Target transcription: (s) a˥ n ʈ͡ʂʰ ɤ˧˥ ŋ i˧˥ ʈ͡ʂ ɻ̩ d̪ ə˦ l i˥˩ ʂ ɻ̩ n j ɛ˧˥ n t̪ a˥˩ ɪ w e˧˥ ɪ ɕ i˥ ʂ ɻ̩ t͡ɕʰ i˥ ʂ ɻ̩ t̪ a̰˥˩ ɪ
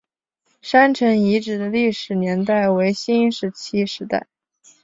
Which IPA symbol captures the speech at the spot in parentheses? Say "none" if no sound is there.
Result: ʂ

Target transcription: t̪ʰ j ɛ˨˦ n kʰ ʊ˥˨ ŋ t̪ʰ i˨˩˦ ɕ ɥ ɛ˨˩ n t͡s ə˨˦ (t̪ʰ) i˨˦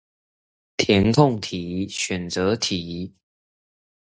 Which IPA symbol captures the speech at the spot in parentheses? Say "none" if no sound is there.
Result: t̪ʰ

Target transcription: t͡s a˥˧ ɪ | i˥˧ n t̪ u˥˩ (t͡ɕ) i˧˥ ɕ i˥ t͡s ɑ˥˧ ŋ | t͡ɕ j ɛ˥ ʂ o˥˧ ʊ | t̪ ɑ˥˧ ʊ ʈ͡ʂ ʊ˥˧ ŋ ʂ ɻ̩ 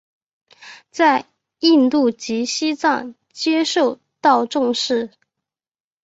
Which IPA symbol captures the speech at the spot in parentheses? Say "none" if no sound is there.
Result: t͡ɕ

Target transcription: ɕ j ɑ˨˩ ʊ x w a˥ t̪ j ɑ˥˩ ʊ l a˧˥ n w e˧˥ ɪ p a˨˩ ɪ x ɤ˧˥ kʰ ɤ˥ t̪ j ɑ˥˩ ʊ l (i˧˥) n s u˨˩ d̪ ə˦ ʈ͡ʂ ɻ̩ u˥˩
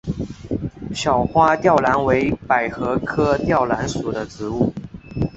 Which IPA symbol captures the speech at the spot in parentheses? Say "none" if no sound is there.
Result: a˧˥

